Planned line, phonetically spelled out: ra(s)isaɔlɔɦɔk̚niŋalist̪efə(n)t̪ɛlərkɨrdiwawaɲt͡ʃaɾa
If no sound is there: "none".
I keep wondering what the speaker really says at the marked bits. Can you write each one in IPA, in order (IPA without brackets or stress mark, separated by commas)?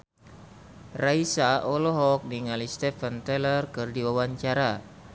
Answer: none, n